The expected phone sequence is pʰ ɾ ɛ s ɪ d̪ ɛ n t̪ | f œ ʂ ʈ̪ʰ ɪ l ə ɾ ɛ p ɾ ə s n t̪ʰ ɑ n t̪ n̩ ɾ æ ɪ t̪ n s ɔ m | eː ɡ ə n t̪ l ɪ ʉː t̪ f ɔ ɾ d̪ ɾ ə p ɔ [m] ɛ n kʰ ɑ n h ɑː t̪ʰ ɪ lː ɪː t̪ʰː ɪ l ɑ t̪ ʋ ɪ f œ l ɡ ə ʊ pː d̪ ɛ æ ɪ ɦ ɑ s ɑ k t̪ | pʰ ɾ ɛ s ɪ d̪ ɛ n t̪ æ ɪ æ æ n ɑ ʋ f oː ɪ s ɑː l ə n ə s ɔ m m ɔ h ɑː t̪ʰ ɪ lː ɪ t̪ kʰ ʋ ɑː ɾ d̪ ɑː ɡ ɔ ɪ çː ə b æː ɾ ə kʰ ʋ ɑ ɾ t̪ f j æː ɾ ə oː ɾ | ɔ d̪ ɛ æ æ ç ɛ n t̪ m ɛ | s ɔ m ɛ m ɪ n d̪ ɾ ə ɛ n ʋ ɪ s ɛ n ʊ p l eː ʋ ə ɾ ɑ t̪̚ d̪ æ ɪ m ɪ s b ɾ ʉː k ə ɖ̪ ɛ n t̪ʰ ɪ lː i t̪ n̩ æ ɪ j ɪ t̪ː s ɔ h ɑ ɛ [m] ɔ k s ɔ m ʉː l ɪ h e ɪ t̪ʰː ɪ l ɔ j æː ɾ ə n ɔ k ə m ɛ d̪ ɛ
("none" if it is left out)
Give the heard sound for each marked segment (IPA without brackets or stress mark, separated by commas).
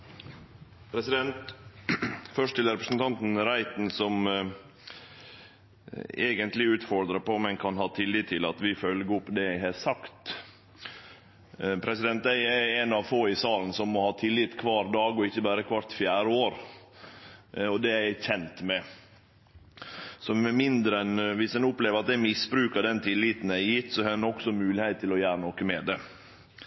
m, n